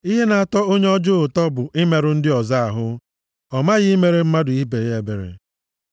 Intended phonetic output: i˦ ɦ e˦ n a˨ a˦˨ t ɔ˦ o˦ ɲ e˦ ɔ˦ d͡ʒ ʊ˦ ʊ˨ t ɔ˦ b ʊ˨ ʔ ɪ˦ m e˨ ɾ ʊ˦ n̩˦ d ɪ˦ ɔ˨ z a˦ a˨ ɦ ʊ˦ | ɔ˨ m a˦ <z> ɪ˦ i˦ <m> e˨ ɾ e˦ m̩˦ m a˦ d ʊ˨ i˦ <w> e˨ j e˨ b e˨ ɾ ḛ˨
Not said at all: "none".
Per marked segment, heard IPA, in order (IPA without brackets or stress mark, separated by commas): ɣ, m, b